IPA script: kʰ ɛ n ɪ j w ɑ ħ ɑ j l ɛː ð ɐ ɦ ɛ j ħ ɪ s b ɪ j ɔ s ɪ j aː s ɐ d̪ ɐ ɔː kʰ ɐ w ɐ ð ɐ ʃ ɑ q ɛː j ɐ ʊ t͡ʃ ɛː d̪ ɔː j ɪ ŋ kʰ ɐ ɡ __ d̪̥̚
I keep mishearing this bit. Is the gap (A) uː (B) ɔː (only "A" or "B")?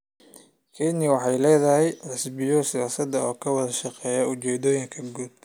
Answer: A